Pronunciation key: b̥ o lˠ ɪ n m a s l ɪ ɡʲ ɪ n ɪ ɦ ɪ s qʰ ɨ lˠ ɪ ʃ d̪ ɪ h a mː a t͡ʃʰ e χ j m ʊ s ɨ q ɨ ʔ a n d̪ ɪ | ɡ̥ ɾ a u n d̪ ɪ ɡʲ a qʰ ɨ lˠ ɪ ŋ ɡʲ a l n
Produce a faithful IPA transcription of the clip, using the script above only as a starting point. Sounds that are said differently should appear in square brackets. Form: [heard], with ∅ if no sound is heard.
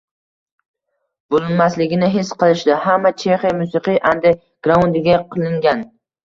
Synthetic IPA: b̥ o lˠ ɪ n m a s l ɪ ɡʲ ɪ n ɪ ɦ ɪ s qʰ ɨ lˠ ɪ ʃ d̪ ɪ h a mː a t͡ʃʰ e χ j m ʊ s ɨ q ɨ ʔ a n d̪ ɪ | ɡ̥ ɾ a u n d̪ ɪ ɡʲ a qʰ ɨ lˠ ɪ ŋ ɡʲ a [∅] n